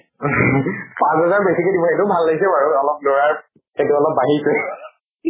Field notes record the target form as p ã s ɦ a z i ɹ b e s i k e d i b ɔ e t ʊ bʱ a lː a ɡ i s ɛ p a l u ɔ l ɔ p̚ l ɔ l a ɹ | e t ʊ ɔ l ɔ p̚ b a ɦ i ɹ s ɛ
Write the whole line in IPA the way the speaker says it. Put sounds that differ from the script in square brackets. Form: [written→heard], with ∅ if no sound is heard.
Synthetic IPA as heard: p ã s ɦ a z [i→a] ɹ b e s i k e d i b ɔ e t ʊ bʱ a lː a ɡ i s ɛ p a [l→ɹ] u ɔ l ɔ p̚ l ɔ [l→ɹ] a ɹ | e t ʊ ɔ l ɔ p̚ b a ɦ i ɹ s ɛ